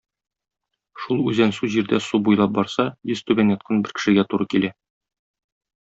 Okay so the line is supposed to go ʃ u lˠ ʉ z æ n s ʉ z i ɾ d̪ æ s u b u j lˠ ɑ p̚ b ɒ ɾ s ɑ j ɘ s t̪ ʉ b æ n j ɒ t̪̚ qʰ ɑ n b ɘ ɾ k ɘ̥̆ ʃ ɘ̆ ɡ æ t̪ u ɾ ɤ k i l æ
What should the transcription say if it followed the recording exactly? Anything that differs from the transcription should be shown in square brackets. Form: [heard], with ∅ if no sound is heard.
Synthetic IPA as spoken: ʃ u lˠ ʉ z æ n s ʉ [ʑ] i ɾ d̪ æ s u b u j lˠ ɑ p̚ b ɒ ɾ s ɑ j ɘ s t̪ ʉ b æ n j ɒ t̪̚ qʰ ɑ n b ɘ ɾ k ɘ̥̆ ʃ ɘ̆ ɡ æ t̪ u ɾ ɤ k i l æ